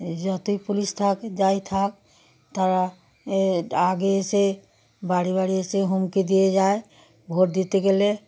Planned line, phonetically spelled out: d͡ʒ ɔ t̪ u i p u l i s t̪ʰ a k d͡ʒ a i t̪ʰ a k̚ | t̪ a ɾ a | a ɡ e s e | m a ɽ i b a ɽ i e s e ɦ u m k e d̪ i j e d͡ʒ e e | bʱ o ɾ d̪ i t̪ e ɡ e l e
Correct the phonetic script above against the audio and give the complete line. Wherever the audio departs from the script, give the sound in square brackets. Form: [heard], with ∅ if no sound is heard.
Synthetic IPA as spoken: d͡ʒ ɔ t̪ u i p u l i s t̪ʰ a k d͡ʒ a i t̪ʰ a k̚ | t̪ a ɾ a | a ɡ e s e | [b] a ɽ i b a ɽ i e s e ɦ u m k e d̪ i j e d͡ʒ [a] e | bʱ o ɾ d̪ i t̪ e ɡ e l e